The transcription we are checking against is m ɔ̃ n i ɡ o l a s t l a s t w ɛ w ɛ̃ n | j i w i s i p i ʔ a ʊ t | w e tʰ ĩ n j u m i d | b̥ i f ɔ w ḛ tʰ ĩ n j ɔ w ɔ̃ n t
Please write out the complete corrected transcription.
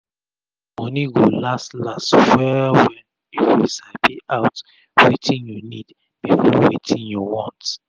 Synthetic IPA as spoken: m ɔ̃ n i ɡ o l a s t l a s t w ɛ w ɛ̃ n | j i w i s a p i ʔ a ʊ t | w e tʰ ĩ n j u n i d | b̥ i f ɔ w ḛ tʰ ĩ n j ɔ w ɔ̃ n t